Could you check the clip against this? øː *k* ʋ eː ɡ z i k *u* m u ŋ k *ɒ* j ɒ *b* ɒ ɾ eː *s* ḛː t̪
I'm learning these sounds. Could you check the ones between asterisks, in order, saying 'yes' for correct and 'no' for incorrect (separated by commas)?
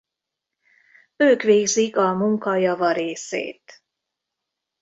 yes, no, yes, no, yes